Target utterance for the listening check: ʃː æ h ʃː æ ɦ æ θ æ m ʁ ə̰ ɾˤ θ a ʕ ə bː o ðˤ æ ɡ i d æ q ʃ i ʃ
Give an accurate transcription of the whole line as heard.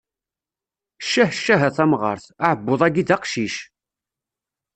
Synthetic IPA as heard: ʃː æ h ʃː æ ɦ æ θ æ m ʁ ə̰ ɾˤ θ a ʕ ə bː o ðˤ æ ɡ i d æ q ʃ i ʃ